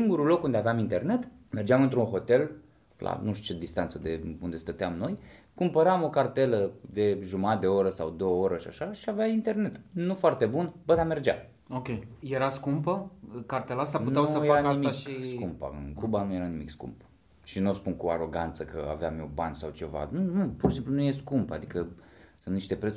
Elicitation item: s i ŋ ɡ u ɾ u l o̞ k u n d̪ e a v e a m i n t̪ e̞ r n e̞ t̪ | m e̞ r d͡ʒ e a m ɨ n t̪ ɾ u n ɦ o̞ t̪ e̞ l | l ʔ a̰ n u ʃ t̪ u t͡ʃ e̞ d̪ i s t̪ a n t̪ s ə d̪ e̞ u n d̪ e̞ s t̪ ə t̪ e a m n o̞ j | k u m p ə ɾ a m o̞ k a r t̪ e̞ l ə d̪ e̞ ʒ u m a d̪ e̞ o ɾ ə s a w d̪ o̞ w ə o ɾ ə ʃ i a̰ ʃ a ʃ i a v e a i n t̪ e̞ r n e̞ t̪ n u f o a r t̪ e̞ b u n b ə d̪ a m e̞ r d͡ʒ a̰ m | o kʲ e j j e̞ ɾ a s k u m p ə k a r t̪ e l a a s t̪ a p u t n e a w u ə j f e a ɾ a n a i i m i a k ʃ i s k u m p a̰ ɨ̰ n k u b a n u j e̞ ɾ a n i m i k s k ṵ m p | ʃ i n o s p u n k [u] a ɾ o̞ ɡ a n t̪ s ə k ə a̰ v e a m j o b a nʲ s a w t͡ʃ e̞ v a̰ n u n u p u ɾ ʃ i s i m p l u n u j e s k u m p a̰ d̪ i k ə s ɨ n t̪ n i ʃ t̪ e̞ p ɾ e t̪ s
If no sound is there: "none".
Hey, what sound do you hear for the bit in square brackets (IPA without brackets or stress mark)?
u